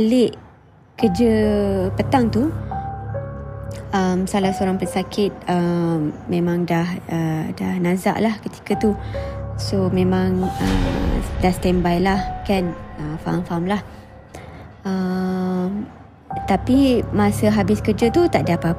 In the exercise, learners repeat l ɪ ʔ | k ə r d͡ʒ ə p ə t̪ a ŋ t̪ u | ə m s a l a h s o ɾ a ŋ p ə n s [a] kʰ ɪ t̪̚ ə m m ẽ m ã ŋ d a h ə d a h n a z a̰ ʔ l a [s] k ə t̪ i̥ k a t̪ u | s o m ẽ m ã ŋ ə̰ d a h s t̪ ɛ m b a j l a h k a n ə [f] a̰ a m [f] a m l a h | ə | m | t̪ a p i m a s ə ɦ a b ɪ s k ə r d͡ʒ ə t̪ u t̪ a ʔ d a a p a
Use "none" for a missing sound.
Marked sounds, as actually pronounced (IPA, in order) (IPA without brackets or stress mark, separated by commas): a, h, f, f